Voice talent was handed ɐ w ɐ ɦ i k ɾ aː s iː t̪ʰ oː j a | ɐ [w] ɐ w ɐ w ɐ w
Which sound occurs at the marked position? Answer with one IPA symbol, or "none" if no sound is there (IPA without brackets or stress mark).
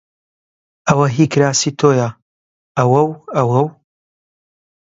w